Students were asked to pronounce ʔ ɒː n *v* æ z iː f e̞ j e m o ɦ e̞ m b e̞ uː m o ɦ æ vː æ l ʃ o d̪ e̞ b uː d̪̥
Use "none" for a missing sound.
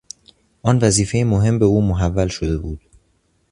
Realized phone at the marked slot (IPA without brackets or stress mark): v